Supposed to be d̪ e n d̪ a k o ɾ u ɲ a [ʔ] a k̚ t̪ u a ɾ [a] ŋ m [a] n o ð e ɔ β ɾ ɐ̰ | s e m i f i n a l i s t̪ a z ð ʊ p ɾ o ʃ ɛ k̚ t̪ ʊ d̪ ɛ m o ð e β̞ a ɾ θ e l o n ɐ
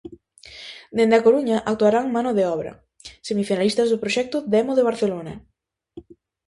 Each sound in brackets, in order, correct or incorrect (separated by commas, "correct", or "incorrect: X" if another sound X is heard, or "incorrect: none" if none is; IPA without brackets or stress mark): correct, correct, correct